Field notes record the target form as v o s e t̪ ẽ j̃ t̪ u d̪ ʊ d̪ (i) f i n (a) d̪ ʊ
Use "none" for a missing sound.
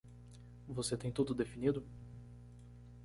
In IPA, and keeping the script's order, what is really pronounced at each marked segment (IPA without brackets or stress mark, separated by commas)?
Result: e, i